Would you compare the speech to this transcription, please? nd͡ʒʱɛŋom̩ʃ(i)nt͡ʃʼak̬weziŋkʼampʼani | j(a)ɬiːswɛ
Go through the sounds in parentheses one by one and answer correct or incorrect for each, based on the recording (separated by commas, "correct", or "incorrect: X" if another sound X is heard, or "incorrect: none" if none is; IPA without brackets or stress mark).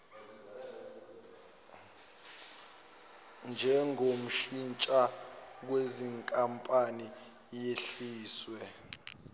correct, incorrect: e